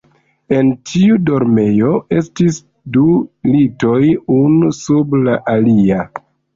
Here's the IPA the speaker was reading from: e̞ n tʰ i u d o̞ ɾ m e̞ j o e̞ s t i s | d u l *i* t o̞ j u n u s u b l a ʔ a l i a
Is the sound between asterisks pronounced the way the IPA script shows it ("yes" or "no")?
yes